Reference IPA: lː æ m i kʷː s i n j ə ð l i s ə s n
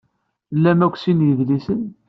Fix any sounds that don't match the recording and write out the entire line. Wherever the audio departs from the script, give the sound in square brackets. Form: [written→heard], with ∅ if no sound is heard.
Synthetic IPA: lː æ m [i→æ] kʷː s i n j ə ð l i s ə [s→∅] n